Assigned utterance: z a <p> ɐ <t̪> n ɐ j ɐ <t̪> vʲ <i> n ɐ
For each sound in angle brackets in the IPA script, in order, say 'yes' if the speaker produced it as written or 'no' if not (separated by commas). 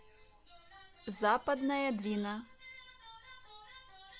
yes, no, no, yes